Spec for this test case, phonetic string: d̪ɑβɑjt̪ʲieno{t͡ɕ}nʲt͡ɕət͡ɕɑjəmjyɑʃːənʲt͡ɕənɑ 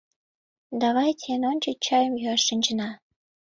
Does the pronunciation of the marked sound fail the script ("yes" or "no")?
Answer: yes